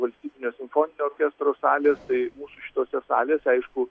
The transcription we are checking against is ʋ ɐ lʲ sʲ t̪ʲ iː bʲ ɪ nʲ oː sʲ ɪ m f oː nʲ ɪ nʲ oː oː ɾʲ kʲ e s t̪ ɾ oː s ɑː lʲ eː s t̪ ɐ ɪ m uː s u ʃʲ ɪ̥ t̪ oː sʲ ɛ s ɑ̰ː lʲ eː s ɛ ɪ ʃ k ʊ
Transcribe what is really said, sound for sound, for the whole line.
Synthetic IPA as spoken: ʋ ɐ lʲ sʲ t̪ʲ iː bʲ ɪ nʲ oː sʲ ɪ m f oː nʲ ɪ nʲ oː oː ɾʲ kʲ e s t̪ ɾ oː s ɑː lʲ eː s t̪ ɐ ɪ m uː s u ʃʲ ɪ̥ t̪ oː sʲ ɛ s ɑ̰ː lʲ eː s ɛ ɪ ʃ k ʊ